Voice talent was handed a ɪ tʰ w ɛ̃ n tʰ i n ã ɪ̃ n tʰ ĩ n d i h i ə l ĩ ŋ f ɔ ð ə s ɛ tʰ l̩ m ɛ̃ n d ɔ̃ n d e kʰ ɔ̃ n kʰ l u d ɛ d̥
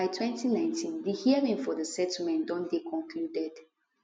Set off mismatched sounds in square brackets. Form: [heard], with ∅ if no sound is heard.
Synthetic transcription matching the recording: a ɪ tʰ w ɛ̃ n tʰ i n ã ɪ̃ n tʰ ĩ n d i h i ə [ɹ] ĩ ŋ f ɔ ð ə s ɛ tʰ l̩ m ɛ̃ n d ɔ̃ n d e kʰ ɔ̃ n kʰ l u d ɛ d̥

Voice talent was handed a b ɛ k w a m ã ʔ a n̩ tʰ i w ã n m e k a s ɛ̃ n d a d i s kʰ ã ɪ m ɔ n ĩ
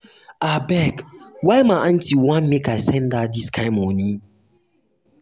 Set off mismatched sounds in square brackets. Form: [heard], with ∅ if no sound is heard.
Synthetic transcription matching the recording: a b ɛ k w a m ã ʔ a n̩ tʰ i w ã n m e k a s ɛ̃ n d a d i s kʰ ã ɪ m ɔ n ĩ

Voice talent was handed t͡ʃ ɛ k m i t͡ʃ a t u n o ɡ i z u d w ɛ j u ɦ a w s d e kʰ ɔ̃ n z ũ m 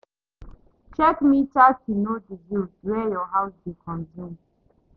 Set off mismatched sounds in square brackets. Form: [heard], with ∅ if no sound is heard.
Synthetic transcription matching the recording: t͡ʃ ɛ k m i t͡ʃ a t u n o [d] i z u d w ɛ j [ɔ] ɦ a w s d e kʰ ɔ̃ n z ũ m

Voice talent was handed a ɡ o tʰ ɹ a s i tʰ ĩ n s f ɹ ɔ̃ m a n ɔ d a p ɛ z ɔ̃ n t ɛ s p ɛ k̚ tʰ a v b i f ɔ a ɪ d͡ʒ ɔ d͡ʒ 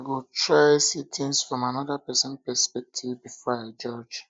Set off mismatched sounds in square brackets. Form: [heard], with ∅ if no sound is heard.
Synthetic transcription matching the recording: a ɡ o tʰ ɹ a s i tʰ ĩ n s f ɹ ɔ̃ m a n ɔ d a p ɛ [s] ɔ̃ n [p] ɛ s p ɛ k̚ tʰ [i] v b i f ɔ a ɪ d͡ʒ ɔ d͡ʒ

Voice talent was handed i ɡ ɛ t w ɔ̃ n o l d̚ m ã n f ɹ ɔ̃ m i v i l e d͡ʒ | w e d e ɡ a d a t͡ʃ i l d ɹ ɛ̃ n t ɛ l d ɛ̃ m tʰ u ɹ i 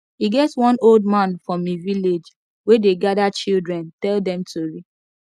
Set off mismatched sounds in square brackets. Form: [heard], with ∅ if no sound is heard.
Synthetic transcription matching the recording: i ɡ ɛ t w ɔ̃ n o l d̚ m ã n f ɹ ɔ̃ m i v i l e d͡ʒ | w e d e ɡ a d a t͡ʃ i l d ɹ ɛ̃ n t ɛ l d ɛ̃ m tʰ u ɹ i

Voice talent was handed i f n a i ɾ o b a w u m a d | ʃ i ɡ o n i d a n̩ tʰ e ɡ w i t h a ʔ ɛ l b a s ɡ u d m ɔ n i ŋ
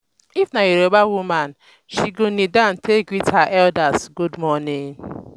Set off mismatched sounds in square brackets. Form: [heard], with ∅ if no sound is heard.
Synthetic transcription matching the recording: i f n a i ɾ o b a w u m a [n] | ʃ i ɡ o n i d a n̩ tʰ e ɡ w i t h a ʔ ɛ l [d] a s ɡ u d m ɔ n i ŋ

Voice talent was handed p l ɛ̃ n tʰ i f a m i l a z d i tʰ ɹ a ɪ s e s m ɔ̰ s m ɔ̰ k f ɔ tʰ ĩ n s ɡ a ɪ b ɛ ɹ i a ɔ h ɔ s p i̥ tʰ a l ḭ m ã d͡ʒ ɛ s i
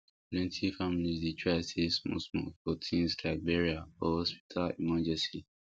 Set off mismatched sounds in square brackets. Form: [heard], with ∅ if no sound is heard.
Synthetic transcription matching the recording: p l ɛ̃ n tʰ i f a m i l [i] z d i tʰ ɹ a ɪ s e s m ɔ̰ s m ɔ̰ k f ɔ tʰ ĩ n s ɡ a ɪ b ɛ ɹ i a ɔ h ɔ s p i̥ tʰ a l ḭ m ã d͡ʒ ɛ s i

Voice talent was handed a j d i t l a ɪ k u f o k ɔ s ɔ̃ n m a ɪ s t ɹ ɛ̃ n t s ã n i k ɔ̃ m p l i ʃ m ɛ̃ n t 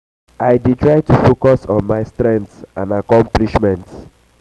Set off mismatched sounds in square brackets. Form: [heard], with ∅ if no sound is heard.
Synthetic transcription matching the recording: a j d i t [ɹ] a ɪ [t] u f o k ɔ s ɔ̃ n m a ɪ s t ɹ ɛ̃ n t s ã n [a] k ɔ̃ m p l i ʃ m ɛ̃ n t

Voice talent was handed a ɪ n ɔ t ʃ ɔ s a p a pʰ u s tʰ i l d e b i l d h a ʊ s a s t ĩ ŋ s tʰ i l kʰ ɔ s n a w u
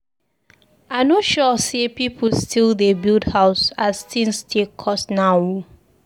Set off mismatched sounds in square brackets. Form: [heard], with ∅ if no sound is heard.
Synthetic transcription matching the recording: a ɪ n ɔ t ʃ ɔ s [e] p [i] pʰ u s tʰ i l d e b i l d h a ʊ s a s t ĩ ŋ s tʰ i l kʰ ɔ s n a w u

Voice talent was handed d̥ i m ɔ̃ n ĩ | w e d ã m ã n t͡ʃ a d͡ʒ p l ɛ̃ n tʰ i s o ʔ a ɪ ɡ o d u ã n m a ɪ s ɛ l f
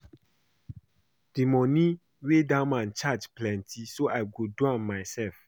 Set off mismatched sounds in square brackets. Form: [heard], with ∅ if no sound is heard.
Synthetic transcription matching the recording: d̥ i m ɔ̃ n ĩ | w e d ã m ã n t͡ʃ a d͡ʒ p l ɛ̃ n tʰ i s o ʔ a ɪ ɡ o d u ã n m a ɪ s ɛ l f

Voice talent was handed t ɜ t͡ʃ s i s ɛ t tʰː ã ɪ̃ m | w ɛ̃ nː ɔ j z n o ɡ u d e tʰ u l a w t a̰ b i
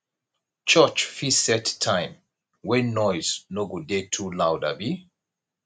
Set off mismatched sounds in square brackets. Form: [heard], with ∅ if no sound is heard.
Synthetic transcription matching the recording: [t͡ʃ] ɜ t͡ʃ [f] i s ɛ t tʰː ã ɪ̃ m | w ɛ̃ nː ɔ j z n o ɡ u d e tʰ u l a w [d] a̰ b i

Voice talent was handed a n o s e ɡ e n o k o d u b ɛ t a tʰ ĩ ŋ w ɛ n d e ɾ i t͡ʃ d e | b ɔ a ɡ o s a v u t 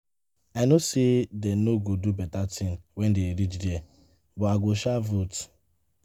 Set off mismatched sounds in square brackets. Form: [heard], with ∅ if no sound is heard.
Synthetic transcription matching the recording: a n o s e [d] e n o [ɡ] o d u b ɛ t a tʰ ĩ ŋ w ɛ n d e ɾ i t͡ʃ d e | b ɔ a ɡ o [ʃ] a v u t

